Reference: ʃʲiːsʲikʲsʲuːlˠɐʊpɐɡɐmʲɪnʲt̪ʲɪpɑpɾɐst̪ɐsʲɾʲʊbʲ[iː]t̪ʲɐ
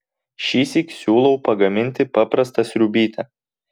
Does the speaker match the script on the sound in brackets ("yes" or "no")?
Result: yes